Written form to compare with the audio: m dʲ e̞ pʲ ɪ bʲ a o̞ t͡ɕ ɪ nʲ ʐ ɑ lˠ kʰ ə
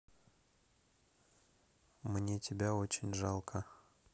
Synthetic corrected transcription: m nʲ e̞ tʲ ɪ bʲ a o̞ t͡ɕ ɪ nʲ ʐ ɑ lˠ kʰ ə